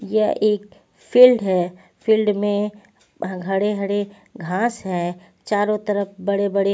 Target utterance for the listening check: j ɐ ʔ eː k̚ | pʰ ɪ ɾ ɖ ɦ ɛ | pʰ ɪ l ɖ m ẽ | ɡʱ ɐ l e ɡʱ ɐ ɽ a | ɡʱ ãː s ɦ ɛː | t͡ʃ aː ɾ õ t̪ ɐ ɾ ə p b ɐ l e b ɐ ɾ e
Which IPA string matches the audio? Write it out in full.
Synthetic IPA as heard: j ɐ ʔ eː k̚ | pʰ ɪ l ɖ ɦ ɛ | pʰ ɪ l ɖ m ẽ | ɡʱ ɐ ɽ e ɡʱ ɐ ɽ e | ɡʱ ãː s ɦ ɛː | t͡ʃ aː ɾ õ t̪ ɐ ɾ ə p b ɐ ɽ e b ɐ ɽ e